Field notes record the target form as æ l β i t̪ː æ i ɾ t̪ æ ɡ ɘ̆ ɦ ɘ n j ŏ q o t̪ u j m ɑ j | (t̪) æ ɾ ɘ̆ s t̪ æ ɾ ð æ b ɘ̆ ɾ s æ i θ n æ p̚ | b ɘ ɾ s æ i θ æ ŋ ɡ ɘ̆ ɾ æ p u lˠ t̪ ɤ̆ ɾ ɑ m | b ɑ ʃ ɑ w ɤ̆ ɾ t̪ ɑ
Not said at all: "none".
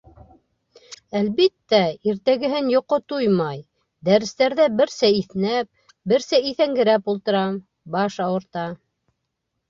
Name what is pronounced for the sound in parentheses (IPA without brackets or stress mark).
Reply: d̪